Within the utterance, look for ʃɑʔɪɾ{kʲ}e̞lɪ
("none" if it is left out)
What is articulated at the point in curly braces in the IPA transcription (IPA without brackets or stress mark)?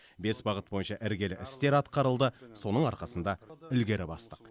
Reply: ɡʲ